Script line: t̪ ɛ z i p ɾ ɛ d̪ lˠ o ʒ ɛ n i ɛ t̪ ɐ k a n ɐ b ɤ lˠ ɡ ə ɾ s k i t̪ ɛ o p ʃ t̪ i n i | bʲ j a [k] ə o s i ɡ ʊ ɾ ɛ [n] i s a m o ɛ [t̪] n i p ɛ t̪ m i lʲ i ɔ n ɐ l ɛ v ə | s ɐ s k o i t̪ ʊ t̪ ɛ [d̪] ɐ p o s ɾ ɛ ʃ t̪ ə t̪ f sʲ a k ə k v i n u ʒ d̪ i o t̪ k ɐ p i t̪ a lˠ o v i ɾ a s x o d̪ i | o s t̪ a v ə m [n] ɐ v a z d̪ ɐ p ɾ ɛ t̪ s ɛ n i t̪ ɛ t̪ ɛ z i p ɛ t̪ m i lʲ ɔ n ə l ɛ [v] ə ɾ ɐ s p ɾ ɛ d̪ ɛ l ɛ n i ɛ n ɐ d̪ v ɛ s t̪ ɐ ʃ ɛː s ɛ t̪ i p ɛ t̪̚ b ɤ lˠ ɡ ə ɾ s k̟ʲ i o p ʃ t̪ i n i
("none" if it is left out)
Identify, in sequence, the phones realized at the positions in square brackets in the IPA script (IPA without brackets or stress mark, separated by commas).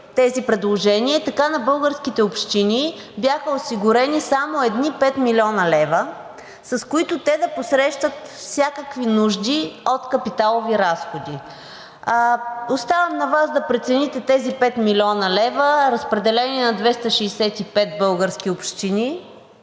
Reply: x, n, d̪, d̪, n, v